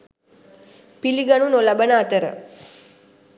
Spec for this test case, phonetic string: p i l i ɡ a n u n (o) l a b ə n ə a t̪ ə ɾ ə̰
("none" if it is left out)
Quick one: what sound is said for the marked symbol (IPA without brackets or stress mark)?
o